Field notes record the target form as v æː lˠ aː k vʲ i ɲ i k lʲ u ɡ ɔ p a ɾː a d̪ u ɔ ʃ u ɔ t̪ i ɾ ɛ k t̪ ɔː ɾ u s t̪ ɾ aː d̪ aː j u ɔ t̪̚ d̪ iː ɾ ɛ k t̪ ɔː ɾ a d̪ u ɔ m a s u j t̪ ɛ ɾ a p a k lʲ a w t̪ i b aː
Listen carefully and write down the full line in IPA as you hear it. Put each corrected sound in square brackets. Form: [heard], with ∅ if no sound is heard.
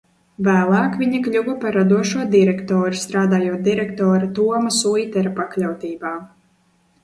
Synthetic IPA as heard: v æː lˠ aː k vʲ i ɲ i k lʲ u ɡ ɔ p a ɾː a d̪ u ɔ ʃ u ɔ [d̪] i ɾ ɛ k t̪ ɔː ɾ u s t̪ ɾ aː d̪ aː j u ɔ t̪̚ d̪ [i] ɾ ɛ k t̪ ɔː ɾ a [t̪] u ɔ m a s u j t̪ ɛ ɾ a p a k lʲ a w t̪ [iː] b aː